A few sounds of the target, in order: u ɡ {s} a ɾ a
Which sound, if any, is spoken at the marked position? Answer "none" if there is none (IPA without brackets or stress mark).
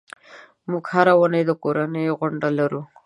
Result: h